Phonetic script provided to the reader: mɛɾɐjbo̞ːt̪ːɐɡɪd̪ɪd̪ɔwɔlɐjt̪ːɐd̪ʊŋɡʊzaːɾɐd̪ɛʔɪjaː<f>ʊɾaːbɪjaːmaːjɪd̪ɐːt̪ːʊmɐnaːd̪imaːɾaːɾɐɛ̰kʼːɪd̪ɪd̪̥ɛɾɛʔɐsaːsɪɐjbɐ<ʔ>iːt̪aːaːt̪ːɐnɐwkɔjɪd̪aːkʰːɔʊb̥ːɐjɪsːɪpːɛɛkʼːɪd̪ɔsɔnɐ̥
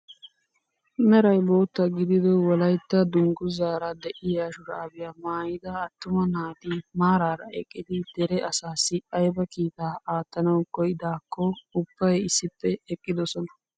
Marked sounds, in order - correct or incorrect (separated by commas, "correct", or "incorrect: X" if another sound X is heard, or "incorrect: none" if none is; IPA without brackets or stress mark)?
incorrect: ʃ, incorrect: k